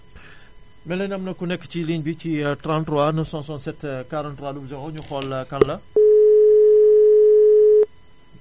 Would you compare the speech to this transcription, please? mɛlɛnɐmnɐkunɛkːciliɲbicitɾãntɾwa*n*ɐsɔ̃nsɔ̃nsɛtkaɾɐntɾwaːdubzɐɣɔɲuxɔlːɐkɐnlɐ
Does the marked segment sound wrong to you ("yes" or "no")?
no